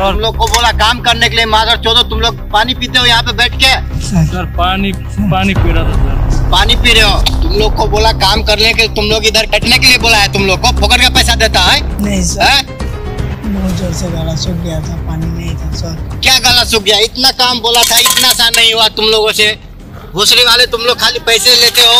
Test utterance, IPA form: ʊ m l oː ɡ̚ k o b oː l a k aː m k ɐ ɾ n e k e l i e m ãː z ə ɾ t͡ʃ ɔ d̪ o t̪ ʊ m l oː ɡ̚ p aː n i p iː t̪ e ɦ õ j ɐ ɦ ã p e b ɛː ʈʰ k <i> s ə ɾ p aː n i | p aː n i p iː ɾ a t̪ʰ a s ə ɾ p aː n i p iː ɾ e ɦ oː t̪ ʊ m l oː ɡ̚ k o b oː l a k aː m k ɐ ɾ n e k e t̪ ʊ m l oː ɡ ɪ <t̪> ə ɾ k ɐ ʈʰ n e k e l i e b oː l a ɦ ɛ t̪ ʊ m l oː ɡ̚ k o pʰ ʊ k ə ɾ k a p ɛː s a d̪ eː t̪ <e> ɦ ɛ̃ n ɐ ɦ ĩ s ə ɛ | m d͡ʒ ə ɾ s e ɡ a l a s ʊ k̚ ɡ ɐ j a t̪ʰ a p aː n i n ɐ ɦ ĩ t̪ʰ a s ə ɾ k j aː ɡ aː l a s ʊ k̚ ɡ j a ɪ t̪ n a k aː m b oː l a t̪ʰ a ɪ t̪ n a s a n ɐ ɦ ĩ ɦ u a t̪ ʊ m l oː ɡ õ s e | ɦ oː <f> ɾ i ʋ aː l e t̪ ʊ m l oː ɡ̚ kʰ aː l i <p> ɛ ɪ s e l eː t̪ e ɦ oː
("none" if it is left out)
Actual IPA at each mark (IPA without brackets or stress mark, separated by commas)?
e, d̪, a, s, p